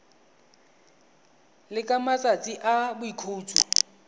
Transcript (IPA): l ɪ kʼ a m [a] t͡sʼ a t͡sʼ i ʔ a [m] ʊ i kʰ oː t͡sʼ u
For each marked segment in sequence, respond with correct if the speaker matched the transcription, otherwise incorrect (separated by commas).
correct, incorrect